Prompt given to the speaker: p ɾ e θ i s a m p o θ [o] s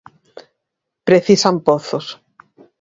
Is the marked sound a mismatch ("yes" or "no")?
no